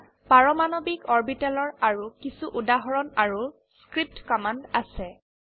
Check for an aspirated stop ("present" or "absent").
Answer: absent